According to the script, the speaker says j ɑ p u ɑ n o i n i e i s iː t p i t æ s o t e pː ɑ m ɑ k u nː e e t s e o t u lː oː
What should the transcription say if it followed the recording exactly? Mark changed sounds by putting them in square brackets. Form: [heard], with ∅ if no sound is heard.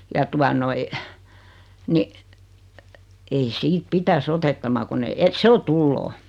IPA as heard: j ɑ [t] u ɑ n o i n i e i s iː t p i t æ s o t e [tː] ɑ m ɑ k u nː e e t s e o t u lː oː